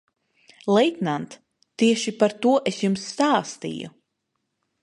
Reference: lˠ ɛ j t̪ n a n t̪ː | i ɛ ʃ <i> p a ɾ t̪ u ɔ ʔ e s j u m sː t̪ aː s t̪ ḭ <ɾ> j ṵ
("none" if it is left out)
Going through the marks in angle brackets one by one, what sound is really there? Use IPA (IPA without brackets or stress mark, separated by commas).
i, none